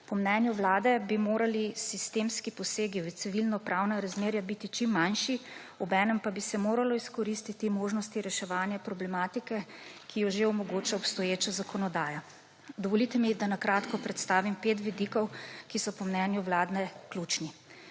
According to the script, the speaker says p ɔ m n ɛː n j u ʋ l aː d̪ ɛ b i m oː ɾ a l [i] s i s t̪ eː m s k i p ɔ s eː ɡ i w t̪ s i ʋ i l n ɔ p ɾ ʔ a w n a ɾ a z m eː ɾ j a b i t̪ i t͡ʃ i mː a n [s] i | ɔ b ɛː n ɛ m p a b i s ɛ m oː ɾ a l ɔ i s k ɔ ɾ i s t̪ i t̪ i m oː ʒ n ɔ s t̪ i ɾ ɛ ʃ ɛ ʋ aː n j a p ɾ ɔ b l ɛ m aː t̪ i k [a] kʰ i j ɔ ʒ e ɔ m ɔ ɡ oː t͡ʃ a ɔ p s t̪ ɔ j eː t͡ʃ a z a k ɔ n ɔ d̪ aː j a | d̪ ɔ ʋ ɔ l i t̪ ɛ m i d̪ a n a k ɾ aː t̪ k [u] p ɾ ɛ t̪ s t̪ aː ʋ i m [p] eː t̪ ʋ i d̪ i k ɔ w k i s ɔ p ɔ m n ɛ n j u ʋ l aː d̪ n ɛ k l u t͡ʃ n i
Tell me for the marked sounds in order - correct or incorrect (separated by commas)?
correct, incorrect, incorrect, incorrect, correct